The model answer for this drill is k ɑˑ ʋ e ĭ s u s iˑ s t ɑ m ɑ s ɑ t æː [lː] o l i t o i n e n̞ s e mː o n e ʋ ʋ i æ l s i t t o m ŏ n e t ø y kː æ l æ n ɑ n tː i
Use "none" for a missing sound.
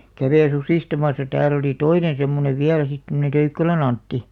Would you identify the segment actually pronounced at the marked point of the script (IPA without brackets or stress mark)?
l